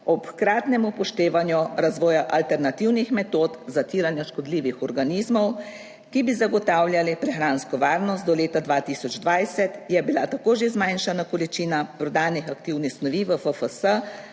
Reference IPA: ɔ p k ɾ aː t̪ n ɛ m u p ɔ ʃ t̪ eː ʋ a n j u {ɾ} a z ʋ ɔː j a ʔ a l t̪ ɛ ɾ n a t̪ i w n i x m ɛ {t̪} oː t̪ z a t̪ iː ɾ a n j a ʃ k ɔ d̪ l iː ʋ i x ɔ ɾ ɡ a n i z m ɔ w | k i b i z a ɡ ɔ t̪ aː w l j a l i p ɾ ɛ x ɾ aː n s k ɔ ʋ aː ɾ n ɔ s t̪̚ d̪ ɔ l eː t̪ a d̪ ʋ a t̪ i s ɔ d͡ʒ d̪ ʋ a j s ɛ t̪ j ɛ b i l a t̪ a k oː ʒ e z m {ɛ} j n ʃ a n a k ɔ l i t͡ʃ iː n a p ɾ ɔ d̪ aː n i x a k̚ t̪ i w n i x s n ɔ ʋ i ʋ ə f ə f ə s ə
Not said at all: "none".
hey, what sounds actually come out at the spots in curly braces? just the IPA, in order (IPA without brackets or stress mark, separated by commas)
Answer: ɾ, t̪, a